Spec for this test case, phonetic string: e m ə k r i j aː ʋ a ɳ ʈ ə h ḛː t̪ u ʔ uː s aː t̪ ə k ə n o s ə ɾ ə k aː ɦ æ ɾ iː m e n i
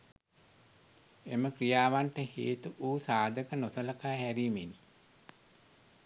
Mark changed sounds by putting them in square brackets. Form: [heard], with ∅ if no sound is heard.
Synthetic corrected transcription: e m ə k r i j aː ʋ a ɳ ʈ ə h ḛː t̪ u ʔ uː s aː [d̪] ə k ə n o s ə [l] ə k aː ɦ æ ɾ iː m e n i